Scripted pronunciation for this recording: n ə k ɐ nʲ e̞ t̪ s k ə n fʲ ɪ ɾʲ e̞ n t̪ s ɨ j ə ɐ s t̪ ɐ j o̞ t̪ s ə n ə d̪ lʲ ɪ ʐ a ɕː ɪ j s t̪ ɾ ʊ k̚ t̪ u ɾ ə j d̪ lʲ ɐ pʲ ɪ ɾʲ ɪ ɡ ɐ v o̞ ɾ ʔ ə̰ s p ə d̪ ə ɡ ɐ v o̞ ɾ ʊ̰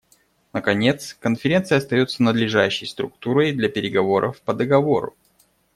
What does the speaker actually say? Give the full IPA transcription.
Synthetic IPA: n ə k ɐ nʲ e̞ t̪ s k ə n fʲ ɪ ɾʲ e̞ n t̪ s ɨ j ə ɐ s t̪ ɐ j o̞ t̪ s ə n ə d̪ lʲ ɪ ʐ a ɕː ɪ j s t̪ ɾ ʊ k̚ t̪ u ɾ ə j d̪ lʲ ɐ pʲ ɪ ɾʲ ɪ ɡ ɐ v o̞ ɾ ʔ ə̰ f p ə d̪ ə ɡ ɐ v o̞ ɾ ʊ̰